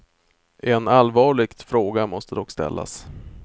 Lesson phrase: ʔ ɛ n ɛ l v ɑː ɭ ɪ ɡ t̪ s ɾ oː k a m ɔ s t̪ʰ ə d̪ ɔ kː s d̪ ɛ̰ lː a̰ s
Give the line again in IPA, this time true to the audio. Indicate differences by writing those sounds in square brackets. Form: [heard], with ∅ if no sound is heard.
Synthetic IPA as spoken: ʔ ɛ n [a] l v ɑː ɭ ɪ ɡ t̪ [f] ɾ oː [ɡ] a m ɔ s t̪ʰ ə d̪ ɔ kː s [t̪] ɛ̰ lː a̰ s